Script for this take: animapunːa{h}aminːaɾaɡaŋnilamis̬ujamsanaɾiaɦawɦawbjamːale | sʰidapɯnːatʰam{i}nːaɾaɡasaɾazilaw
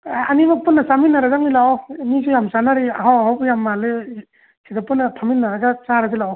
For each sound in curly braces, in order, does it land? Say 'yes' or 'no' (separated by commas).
no, yes